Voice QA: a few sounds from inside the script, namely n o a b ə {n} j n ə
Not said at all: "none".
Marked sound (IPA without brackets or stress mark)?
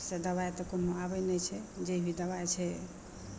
none